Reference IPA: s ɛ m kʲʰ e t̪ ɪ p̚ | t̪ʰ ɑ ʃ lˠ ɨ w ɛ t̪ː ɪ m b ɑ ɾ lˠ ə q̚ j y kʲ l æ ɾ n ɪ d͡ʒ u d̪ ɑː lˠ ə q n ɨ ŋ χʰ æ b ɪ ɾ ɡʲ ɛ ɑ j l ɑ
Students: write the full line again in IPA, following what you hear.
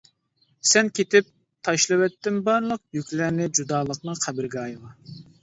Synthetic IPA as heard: s ɛ n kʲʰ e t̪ ɪ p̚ | t̪ʰ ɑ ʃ lˠ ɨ w ɛ t̪ː ɪ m b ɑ ɾ lˠ ə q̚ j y kʲ l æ ɾ n ɪ d͡ʒ u d̪ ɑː lˠ ə q n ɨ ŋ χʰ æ b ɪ ɾ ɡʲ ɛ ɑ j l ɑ